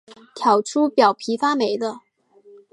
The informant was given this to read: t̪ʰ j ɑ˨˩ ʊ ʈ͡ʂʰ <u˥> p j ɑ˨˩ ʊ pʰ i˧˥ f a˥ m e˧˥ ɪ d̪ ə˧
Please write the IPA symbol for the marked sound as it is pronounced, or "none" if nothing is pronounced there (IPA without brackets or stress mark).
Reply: u˥